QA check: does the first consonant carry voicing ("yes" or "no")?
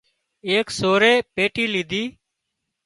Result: no